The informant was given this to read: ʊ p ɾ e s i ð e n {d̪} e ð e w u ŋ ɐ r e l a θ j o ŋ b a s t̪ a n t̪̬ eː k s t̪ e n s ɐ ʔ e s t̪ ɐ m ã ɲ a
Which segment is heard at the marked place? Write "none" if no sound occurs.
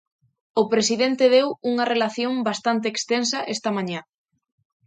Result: t̪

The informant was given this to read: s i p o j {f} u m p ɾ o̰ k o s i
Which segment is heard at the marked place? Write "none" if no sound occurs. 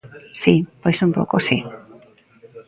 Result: s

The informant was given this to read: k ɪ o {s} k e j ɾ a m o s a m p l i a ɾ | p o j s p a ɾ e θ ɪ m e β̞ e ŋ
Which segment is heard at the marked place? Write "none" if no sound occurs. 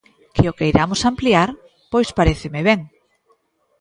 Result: none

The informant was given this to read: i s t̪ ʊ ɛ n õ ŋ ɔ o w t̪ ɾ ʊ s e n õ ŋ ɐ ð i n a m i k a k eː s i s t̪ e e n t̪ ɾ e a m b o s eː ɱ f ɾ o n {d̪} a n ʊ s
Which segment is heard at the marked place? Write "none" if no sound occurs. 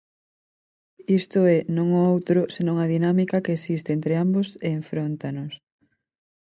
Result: t̪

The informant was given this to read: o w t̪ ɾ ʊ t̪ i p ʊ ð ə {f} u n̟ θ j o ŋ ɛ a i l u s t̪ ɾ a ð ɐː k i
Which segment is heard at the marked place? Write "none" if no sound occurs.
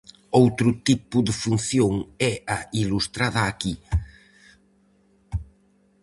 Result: f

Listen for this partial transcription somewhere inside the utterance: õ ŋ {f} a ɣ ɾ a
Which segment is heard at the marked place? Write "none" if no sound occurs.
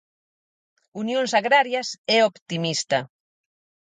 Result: s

